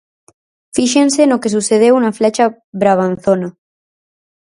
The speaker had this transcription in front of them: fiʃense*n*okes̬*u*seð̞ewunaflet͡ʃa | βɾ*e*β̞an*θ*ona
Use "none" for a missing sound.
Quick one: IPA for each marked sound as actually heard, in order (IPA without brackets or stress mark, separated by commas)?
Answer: n, u, a, θ